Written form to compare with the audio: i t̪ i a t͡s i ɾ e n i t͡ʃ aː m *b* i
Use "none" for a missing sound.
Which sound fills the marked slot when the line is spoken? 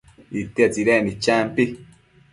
p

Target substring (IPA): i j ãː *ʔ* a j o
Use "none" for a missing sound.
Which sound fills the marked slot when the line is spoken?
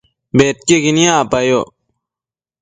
p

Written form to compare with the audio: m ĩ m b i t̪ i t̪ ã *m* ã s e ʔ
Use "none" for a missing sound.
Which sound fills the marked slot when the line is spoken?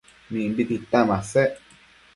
m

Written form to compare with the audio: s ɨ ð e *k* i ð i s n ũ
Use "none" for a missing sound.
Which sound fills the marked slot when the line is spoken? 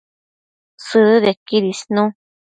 k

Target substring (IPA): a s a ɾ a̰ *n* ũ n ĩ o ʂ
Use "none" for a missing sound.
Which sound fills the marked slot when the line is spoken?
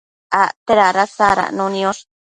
n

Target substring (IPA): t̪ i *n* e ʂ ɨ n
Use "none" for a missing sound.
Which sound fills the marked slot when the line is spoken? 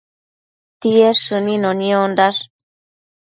none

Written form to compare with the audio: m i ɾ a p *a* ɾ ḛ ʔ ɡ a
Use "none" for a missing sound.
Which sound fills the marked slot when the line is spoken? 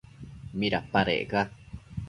a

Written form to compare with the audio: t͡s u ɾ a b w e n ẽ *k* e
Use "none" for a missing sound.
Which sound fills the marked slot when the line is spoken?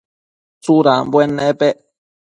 p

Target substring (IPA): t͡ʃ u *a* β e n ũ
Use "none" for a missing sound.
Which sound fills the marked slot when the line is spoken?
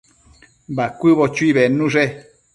i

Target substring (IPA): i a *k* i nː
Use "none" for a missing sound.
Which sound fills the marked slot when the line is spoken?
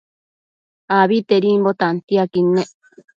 k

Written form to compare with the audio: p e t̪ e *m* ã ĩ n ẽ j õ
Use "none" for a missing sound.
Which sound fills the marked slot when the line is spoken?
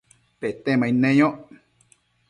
m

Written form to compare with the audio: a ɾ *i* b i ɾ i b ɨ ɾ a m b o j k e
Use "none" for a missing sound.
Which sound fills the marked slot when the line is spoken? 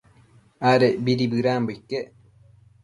e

